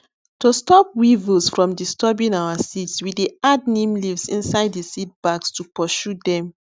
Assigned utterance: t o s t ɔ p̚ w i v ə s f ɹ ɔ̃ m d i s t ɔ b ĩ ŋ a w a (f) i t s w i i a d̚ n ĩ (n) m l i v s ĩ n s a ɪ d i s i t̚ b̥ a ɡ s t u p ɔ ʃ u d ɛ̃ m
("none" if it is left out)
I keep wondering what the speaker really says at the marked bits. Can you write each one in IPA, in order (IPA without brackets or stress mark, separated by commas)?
s, none